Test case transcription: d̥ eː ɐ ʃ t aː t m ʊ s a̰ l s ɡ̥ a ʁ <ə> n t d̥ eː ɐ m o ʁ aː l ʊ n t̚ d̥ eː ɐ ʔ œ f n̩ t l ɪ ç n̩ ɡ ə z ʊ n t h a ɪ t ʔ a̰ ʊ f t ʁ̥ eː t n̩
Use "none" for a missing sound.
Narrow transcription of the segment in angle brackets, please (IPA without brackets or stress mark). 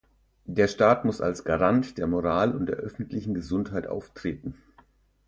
a